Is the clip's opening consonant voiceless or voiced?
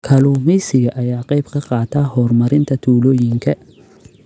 voiceless